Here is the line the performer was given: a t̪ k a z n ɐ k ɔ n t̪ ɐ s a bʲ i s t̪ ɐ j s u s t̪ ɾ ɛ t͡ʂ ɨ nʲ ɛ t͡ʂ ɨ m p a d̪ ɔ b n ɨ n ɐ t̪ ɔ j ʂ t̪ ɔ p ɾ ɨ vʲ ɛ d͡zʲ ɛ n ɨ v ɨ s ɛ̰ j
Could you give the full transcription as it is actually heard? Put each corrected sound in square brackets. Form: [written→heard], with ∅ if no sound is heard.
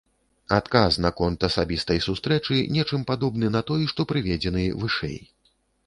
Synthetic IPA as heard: a t̪ k a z n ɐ k ɔ n t̪ ɐ s a bʲ i s t̪ ɐ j s u s t̪ ɾ ɛ t͡ʂ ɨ nʲ ɛ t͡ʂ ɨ m p a d̪ ɔ b n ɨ n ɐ t̪ ɔ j ʂ t̪ ɔ p ɾ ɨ vʲ ɛ d͡zʲ ɛ n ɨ v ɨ [s→ʂ] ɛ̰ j